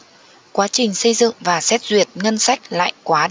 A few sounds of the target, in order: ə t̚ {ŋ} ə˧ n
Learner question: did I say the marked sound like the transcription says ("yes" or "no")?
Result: yes